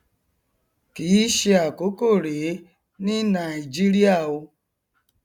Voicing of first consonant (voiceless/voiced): voiceless